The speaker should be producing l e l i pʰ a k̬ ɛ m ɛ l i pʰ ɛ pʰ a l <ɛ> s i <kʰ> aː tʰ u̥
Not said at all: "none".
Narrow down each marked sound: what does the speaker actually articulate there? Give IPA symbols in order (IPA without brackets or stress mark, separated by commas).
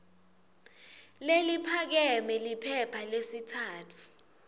e, tʰ